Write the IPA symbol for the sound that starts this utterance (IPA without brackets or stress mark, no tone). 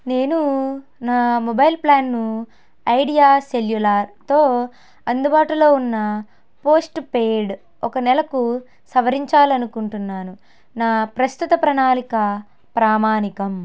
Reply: n